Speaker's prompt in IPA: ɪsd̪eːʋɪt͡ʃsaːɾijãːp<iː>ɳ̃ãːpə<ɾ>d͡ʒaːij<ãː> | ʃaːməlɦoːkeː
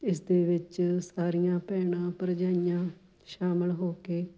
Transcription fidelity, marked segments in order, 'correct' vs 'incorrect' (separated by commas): incorrect, correct, correct